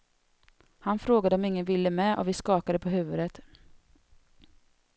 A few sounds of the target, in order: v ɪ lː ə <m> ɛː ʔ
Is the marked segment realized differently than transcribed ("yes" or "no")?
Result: no